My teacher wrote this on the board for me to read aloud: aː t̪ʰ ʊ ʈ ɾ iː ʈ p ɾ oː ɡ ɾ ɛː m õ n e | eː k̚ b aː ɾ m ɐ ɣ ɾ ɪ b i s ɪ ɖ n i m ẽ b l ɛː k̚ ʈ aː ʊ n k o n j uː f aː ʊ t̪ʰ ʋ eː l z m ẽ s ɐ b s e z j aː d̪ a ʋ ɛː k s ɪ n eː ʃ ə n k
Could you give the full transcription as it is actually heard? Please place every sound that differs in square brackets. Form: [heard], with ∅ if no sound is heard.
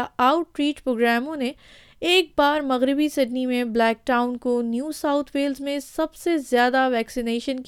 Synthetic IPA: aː [∅] ʊ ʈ ɾ iː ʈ p ɾ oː ɡ ɾ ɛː m õ n e | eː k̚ b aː ɾ m ɐ ɣ ɾ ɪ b i s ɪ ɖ n i m ẽ b l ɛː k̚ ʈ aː ʊ n k o n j uː [s] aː ʊ t̪ʰ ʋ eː l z m ẽ s ɐ b s e z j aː d̪ a ʋ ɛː k s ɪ n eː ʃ ə n k